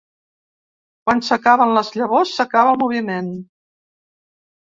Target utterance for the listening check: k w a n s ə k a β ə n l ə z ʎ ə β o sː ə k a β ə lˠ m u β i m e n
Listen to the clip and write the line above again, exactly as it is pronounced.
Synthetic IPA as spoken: k w a n s ə k a β ə n l ə z ʎ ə β o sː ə k a β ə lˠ m u β i m e n